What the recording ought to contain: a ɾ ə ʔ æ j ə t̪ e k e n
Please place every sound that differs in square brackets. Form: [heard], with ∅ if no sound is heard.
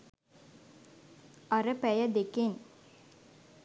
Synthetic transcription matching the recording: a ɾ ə [p] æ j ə [d̪] e k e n